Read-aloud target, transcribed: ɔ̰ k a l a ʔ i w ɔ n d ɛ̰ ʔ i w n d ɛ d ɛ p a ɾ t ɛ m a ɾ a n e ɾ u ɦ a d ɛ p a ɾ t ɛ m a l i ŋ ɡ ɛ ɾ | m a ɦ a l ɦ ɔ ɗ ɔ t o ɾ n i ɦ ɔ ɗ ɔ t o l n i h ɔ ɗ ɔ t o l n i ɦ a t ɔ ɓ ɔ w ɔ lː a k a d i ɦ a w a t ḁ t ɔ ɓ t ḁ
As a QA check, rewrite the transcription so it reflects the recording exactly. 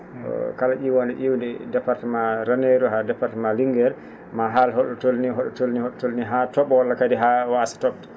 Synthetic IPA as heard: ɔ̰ k a l a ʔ i w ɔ n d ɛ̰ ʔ i w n d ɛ d ɛ p a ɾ t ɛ m a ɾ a n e ɾ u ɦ a d ɛ p a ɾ t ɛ m a l i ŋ ɡ ɛ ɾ | m a ɦ a l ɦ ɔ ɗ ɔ t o l n i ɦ ɔ ɗ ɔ t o l n i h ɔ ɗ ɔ t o l n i ɦ a t ɔ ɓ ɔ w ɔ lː a k a d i ɦ a w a s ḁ t ɔ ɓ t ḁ